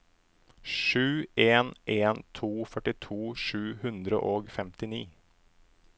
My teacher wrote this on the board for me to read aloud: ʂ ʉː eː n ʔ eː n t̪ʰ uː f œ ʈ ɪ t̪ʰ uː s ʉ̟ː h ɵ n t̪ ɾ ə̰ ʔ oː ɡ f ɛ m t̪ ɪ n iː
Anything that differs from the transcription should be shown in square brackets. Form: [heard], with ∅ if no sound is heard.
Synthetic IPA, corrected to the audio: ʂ ʉː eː n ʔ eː n t̪ʰ uː f œ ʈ ɪ t̪ʰ uː [ʂ] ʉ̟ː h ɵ n [d̪] ɾ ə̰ ʔ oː ɡ f ɛ m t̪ ɪ n iː